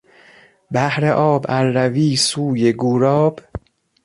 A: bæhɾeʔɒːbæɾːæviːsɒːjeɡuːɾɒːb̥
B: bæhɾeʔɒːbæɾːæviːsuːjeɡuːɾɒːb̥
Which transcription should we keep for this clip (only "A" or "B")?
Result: B